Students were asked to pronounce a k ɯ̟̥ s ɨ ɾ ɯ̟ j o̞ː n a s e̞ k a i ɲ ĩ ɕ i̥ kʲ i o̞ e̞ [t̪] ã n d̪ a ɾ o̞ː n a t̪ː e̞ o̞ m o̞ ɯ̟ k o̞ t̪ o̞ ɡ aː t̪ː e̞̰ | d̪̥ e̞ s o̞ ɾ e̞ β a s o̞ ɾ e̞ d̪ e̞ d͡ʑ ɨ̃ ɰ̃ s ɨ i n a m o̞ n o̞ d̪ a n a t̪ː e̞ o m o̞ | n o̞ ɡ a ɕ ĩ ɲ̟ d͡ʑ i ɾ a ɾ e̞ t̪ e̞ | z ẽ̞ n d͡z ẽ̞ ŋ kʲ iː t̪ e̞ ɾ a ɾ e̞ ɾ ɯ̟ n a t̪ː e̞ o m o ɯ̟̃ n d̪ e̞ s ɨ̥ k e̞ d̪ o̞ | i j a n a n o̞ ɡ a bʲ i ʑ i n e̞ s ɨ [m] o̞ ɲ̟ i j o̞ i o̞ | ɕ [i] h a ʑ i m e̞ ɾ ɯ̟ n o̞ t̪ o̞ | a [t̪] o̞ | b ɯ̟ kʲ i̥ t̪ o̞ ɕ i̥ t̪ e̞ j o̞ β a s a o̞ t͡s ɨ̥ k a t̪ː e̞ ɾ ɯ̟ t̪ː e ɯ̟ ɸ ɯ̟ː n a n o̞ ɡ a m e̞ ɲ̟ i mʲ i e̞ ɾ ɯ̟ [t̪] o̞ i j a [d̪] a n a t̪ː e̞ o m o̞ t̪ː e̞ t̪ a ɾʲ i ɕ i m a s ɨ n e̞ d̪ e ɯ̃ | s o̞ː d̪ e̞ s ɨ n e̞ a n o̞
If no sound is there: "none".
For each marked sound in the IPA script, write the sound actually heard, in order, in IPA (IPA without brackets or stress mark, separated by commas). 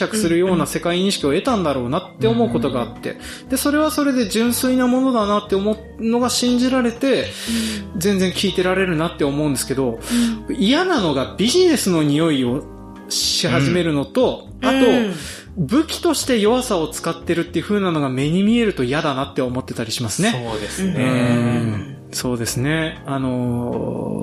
t̪, n, i, t̪, t̪, d̪